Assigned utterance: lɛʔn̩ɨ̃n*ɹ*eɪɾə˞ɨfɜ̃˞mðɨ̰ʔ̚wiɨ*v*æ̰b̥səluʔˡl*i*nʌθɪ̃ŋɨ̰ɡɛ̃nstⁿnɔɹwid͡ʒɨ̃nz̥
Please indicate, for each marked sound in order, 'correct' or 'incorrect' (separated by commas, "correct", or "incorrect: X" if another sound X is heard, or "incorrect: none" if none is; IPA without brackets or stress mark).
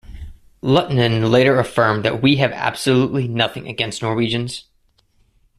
incorrect: l, correct, correct